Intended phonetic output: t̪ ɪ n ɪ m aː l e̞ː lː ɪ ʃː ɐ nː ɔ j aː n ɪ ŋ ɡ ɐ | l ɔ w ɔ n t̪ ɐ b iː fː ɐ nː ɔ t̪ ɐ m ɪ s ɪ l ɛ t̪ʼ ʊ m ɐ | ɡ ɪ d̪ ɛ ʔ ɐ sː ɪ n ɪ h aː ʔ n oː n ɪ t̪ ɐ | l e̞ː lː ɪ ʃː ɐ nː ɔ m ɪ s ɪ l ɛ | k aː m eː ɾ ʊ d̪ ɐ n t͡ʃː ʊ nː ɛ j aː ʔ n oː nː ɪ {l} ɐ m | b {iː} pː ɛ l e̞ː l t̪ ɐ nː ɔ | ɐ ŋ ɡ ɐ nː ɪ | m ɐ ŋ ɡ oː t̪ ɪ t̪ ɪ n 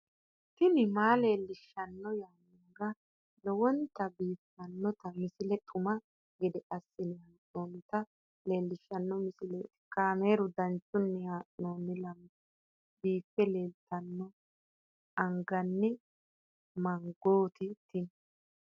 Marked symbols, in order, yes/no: yes, yes

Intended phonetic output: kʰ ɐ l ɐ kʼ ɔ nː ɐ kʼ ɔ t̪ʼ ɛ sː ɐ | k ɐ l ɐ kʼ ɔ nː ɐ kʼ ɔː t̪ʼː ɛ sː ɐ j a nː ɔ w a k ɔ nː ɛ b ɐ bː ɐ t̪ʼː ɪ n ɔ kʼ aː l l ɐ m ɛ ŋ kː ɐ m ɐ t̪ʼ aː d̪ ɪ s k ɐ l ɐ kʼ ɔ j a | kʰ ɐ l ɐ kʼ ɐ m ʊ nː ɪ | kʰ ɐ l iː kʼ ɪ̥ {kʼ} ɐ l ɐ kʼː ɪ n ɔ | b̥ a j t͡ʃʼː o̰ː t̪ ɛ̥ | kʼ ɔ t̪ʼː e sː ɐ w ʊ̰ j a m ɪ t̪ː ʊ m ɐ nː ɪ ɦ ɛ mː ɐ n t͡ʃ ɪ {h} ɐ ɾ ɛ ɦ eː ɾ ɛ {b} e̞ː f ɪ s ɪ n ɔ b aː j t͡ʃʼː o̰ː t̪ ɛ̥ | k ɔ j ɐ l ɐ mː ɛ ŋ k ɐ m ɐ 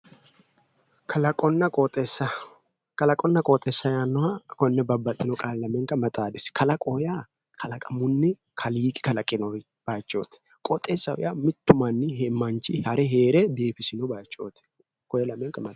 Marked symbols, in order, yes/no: no, yes, yes

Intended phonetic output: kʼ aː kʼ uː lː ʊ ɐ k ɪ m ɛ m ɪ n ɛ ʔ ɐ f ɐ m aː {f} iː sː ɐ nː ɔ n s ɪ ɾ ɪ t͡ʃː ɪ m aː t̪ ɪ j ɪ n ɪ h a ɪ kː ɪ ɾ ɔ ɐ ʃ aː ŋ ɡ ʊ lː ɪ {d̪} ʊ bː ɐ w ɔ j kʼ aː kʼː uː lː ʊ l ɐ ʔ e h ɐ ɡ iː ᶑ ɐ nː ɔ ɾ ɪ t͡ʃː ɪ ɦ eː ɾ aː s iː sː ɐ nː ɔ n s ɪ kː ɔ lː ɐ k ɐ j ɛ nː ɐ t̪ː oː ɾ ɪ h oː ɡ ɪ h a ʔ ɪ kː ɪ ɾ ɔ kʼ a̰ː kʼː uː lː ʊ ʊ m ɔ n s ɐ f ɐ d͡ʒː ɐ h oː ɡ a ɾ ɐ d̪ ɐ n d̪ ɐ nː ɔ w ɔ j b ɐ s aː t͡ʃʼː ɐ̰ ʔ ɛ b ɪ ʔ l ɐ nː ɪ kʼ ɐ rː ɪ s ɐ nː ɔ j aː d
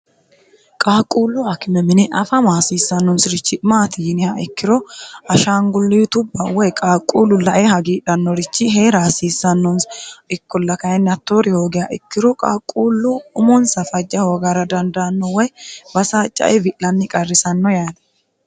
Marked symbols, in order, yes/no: no, no

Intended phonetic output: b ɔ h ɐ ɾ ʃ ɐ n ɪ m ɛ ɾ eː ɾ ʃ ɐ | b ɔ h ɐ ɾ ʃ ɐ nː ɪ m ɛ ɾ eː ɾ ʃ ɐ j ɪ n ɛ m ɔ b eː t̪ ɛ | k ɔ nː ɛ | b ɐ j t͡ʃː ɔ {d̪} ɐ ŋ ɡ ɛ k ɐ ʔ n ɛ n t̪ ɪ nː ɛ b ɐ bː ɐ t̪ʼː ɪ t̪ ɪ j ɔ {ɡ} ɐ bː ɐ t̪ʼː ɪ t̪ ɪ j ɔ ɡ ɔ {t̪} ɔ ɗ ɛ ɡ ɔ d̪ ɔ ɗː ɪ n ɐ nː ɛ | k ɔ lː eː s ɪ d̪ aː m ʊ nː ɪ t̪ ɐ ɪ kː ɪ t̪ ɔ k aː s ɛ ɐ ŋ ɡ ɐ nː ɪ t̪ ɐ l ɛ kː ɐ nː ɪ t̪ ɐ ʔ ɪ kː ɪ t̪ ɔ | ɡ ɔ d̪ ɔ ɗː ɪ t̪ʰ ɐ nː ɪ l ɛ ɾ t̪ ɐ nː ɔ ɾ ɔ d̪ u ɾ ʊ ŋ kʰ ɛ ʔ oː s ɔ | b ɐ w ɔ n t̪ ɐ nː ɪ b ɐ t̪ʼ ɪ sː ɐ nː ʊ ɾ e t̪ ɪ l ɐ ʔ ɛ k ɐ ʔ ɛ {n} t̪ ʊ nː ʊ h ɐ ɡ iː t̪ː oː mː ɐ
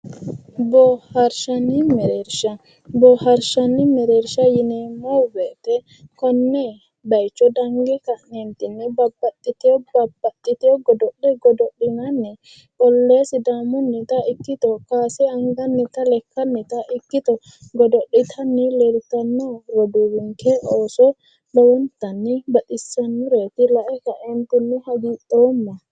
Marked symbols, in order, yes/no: yes, no, no, yes

